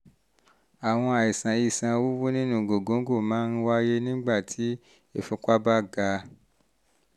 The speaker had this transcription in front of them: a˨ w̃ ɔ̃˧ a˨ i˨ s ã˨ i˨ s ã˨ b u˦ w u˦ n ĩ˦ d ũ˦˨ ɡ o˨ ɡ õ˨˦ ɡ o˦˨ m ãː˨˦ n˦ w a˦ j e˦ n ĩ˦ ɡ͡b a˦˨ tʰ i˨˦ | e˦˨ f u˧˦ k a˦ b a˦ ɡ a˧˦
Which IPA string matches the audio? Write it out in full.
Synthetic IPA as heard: a˨ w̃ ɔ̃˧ a˨ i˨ s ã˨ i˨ s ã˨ w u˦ w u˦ n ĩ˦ n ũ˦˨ ɡ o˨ ɡ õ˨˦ ɡ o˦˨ m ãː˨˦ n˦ w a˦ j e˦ n ĩ˦ ɡ͡b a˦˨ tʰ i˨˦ | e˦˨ f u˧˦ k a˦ b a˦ ɡ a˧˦